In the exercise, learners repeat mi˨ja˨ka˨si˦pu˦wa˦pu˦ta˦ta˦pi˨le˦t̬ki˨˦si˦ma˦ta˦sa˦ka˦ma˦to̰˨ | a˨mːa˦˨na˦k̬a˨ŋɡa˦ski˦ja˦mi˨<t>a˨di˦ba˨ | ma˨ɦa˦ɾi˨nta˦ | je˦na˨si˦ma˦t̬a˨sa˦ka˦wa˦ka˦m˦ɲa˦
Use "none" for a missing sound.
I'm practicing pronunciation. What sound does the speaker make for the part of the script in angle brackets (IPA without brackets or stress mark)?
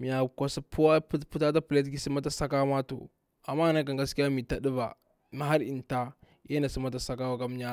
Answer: t